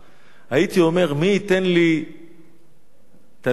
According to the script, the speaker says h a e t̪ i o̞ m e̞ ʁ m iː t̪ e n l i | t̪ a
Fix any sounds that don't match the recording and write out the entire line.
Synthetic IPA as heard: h a i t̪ i o̞ m e̞ ʁ m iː t̪ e n l i | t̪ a